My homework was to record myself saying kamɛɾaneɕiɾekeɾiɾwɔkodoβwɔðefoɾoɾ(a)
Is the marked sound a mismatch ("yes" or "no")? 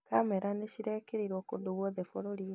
yes